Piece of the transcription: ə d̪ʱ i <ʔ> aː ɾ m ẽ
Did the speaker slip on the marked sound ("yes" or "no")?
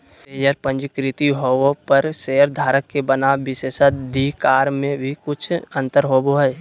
yes